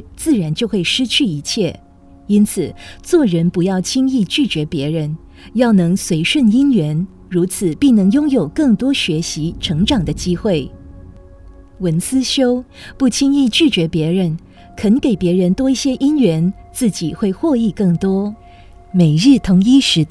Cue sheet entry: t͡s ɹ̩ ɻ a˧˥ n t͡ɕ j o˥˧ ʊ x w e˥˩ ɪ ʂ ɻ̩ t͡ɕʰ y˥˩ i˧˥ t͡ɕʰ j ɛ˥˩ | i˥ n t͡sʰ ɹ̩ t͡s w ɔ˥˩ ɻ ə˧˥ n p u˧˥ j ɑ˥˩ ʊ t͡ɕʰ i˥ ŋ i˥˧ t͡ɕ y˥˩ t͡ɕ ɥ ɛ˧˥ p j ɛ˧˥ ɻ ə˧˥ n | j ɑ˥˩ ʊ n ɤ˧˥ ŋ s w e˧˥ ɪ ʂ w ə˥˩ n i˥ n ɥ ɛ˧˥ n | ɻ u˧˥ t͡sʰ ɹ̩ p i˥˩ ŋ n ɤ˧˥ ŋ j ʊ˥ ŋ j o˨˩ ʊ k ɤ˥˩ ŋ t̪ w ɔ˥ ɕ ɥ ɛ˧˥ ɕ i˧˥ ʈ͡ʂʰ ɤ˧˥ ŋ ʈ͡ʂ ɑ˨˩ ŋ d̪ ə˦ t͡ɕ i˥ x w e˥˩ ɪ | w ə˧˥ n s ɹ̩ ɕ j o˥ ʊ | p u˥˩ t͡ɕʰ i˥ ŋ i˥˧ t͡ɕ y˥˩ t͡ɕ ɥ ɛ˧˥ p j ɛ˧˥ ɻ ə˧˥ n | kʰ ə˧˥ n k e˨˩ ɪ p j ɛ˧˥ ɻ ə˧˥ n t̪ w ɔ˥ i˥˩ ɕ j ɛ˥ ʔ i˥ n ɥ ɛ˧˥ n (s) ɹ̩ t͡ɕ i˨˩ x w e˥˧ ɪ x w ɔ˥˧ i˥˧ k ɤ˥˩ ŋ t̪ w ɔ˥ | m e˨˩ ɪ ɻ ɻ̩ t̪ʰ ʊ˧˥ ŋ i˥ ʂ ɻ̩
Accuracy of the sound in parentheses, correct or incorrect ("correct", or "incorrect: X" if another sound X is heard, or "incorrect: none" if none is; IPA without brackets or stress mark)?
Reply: incorrect: t͡s